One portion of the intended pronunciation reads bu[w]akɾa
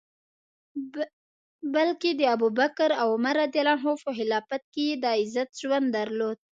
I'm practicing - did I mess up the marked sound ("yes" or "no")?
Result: yes